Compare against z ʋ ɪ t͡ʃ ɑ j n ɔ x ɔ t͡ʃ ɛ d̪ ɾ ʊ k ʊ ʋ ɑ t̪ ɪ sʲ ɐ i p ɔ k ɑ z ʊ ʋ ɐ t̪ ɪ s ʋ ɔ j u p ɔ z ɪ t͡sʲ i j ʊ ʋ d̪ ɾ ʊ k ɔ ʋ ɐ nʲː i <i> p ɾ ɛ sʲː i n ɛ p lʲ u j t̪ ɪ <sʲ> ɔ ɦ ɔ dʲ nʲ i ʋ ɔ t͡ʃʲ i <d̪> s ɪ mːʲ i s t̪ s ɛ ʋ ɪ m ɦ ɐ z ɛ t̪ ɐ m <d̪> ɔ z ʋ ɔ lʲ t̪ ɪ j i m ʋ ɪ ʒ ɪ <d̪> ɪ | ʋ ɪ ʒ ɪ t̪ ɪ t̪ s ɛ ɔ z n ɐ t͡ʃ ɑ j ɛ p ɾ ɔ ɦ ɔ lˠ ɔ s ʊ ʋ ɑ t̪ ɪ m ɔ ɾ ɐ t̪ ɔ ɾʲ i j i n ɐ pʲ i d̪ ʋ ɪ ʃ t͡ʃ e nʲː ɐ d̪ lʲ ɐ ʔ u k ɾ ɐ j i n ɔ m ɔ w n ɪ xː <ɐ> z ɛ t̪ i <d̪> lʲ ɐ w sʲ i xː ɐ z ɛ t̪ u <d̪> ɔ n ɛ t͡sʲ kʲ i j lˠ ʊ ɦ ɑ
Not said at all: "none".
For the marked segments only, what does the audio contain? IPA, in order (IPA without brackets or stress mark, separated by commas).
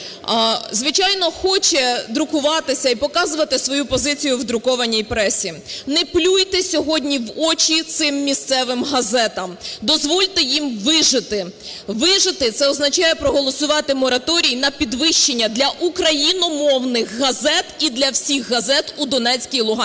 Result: j, sʲ, t̪, d̪, t̪, ɐ, d̪, d̪